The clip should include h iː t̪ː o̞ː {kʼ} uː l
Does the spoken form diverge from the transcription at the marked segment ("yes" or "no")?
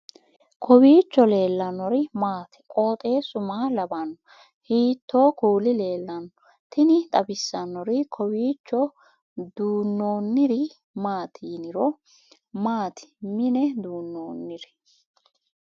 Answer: yes